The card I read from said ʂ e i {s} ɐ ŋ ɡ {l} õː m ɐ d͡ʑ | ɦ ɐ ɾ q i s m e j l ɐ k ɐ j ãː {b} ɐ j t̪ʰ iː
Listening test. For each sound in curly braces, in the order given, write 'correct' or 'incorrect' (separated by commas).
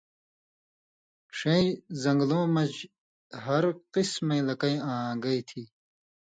incorrect, correct, incorrect